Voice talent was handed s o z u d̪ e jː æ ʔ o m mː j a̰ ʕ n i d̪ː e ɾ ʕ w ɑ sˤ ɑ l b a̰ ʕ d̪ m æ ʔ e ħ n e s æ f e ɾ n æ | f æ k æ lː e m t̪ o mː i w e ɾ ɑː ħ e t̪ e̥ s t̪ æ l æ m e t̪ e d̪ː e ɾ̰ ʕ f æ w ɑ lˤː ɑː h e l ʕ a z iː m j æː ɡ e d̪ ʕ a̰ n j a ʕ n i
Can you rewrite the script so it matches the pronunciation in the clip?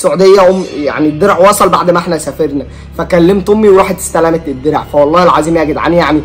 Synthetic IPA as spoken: s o ʕ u d̪ e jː æ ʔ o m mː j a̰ ʕ n i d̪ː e ɾ ʕ w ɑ sˤ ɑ l b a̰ ʕ d̪ m æ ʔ e ħ n æ s æ f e ɾ n æ | f æ k æ lː e m t̪ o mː i w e ɾ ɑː ħ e t̪ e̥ s t̪ æ l æ m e t̪ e d̪ː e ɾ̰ ʕ f æ w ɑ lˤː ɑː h e l ʕ a z iː m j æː ɡ e d̪ ʕ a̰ n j a ʕ n i